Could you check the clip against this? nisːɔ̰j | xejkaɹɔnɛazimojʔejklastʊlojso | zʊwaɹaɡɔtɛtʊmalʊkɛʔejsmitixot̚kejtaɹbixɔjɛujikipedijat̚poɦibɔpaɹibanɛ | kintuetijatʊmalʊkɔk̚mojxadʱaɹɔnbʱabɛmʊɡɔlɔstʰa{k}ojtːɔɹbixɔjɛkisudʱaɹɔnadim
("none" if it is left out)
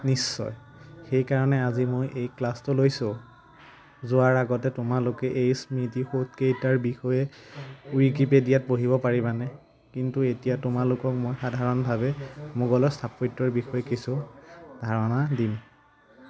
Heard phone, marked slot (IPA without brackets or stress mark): p